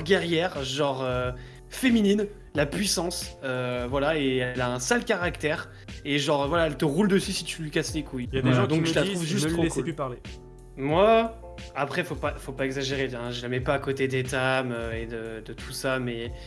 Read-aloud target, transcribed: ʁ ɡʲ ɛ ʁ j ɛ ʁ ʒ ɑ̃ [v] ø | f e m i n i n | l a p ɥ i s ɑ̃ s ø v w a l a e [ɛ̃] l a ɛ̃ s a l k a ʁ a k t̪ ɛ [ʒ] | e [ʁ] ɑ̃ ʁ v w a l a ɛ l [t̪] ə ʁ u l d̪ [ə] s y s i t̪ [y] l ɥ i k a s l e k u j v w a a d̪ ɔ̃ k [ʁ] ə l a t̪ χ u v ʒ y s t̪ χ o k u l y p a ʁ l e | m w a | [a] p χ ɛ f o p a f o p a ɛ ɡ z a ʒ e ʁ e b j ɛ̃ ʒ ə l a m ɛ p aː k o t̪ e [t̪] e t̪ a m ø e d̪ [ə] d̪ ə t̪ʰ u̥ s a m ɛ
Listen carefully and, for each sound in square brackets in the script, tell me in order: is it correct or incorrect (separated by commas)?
incorrect, incorrect, incorrect, incorrect, correct, correct, correct, incorrect, correct, incorrect, correct